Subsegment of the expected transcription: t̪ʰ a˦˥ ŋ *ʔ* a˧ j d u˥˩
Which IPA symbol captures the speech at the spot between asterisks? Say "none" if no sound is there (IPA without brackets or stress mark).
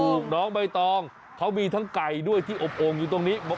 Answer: k